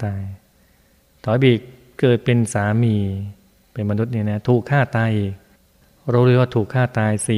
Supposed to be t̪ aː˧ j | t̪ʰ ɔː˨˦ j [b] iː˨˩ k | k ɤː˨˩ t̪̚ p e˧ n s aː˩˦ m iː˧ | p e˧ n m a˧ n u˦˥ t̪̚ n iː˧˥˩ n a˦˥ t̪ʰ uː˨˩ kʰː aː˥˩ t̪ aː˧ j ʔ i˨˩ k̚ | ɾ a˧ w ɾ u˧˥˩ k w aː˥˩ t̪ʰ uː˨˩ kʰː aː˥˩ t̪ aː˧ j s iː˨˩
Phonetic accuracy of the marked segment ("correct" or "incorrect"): correct